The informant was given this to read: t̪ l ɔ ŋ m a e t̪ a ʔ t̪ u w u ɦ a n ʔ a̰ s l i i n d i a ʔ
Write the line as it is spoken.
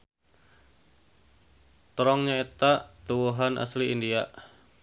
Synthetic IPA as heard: t̪ ɾ ɔ ŋ ɲ a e t̪ a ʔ t̪ u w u ɦ a n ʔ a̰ s l i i n d i a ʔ